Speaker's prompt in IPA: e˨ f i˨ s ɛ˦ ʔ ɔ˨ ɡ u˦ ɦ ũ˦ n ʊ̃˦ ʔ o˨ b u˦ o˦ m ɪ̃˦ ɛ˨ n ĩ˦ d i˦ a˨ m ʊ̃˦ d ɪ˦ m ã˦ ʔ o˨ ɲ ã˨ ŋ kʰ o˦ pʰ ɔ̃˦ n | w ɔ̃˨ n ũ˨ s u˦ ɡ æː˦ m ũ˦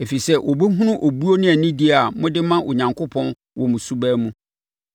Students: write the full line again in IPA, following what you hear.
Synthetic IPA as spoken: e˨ f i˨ s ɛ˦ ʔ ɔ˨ b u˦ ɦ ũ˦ n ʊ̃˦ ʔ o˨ b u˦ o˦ n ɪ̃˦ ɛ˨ n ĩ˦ d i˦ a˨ m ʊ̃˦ d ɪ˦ m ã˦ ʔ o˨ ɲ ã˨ ŋ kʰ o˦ pʰ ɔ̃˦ n | w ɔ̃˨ m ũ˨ s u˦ b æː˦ m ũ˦